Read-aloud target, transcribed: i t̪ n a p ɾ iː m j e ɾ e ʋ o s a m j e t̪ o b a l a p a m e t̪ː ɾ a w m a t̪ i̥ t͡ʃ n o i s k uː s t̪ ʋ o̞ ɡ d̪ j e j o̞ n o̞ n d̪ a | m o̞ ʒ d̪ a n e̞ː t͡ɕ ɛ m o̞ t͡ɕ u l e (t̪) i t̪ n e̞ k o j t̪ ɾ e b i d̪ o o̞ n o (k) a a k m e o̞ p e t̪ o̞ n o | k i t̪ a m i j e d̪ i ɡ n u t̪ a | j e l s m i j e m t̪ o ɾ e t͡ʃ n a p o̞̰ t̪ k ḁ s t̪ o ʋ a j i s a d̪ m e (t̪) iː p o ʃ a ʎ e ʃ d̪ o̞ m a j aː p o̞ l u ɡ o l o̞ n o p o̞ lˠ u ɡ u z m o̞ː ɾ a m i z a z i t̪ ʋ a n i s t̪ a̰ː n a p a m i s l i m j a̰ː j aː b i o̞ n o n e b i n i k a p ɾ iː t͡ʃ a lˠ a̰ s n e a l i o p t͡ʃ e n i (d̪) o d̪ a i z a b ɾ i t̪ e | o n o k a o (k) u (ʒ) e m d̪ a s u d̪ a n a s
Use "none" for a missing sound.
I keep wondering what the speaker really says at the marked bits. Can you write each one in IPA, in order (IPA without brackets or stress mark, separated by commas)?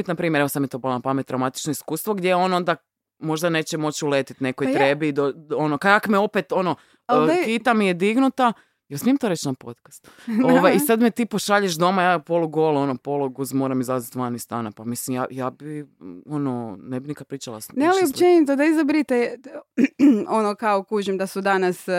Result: t̪, k, t̪, t̪, k, ʒ